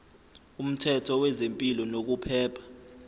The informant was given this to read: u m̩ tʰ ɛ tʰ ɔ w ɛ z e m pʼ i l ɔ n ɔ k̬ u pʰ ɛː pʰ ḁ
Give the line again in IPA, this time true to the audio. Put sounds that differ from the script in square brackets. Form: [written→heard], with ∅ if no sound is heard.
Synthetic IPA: u m̩ tʰ ɛ tʰ ɔ w ɛ z e m pʼ i l ɔ n [ɔ→o] k̬ u pʰ ɛː pʰ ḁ